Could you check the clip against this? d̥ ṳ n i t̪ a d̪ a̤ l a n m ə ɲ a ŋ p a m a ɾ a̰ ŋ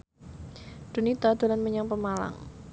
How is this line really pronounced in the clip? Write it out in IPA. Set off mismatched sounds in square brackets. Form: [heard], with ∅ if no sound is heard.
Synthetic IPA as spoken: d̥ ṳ n i t̪ a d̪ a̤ l a n m ə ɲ a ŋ p [ə] m a [l] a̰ ŋ